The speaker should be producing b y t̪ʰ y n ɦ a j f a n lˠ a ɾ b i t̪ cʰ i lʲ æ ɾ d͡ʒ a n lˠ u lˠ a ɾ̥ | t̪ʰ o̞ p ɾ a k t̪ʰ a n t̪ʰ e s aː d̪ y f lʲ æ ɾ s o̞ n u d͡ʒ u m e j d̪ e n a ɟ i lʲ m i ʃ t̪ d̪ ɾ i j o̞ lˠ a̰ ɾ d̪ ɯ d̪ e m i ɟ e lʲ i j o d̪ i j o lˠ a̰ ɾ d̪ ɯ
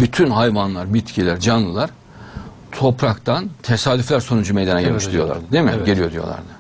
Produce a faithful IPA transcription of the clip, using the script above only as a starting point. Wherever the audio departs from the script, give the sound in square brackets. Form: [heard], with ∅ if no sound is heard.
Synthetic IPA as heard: b y t̪ʰ y n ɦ a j [v] a n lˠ a ɾ b i t̪ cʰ i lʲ æ ɾ d͡ʒ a n lˠ [ɯ] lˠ a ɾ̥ | t̪ʰ o̞ p ɾ a k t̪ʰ a n t̪ʰ e s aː d̪ y f lʲ æ ɾ s o̞ n u d͡ʒ u m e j d̪ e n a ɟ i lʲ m i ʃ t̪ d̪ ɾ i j o̞ lˠ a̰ ɾ d̪ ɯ d̪ e m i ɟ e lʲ i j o d̪ i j o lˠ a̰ ɾ d̪ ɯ